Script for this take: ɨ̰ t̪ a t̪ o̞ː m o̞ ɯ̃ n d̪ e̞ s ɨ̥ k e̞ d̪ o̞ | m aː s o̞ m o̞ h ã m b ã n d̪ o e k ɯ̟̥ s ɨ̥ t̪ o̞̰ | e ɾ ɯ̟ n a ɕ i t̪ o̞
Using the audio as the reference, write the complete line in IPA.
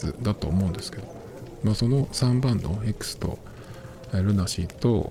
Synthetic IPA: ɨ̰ d̪ a t̪ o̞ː m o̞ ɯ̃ n d̪ e̞ s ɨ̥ k e̞ d̪ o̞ | m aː s o̞ n o̞ s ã m b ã n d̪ o e k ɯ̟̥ s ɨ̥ t̪ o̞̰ | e ɾ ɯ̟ n a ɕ i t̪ o̞